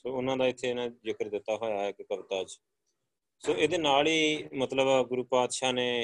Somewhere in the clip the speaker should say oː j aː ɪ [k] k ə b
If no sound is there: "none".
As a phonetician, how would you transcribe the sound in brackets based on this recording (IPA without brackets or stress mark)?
k